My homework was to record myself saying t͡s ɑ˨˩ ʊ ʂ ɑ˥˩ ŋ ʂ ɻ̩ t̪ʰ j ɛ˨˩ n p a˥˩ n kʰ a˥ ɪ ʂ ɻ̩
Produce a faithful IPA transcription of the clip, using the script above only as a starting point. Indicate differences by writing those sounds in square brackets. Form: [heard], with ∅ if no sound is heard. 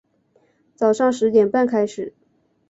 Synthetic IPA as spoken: t͡s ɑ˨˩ ʊ ʂ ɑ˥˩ ŋ ʂ ɻ̩ [t̪] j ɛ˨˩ n p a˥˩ n kʰ a˥ ɪ ʂ ɻ̩